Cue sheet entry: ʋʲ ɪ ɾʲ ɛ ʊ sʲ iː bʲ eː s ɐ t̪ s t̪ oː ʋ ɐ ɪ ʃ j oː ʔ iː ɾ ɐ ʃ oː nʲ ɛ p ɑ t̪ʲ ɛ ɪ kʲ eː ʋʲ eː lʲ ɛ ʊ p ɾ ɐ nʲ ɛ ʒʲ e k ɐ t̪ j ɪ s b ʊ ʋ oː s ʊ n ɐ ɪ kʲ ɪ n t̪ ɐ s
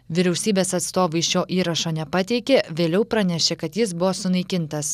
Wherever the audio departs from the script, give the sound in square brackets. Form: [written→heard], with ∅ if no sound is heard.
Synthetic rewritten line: ʋʲ ɪ ɾʲ ɛ ʊ sʲ iː bʲ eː s ɐ t̪ s t̪ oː ʋ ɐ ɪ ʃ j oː ʔ iː ɾ ɐ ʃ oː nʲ ɛ p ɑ t̪ʲ ɛ ɪ kʲ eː ʋʲ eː lʲ ɛ ʊ p ɾ ɐ nʲ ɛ [ʒʲ→ʃʲ] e k ɐ t̪ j ɪ s b ʊ ʋ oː s ʊ n ɐ ɪ kʲ ɪ n t̪ ɐ s